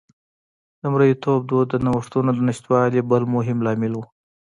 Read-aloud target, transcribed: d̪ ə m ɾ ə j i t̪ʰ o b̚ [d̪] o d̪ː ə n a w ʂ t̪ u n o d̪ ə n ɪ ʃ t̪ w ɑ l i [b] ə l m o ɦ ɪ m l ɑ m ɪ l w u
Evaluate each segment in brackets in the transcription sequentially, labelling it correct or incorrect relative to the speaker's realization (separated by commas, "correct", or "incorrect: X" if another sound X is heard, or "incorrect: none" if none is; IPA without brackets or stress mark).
correct, correct